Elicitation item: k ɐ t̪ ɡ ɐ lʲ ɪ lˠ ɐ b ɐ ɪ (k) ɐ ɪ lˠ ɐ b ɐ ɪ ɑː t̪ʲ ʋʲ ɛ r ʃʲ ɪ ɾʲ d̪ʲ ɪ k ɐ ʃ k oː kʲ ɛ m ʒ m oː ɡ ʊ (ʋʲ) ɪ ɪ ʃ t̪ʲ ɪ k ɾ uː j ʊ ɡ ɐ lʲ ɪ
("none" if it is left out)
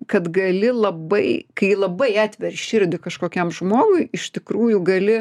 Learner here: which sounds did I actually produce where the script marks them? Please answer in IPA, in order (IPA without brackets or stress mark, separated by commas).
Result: k, none